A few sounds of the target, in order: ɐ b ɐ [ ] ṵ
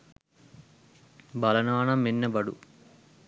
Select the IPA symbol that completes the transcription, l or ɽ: ɽ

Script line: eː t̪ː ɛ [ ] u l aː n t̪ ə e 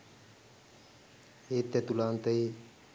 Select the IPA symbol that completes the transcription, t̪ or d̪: t̪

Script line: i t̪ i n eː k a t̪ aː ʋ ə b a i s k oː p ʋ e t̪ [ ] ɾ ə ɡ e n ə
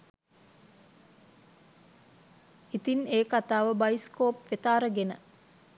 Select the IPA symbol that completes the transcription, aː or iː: aː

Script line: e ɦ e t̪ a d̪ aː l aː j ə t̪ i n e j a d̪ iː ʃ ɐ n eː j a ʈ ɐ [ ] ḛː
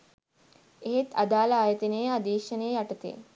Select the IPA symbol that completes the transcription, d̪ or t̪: t̪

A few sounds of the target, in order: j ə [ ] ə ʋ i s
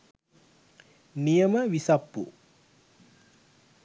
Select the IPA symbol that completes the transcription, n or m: m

